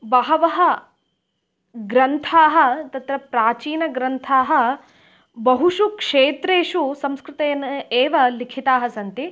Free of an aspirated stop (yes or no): no